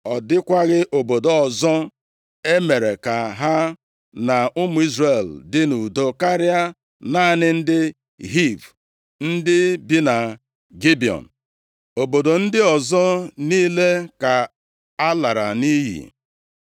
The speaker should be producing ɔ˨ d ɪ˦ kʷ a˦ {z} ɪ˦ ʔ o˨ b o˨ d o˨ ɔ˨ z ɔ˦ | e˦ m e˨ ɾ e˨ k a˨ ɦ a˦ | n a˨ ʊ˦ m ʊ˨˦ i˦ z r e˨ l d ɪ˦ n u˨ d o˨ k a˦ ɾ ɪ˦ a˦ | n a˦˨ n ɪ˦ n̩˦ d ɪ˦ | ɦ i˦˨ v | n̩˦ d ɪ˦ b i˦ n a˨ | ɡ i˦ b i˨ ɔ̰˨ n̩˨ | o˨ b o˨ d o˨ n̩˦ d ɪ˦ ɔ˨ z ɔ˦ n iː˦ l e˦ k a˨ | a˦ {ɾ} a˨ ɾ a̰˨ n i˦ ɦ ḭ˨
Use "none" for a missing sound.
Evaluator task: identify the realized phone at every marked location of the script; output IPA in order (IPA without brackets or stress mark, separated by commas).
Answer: ɣ, l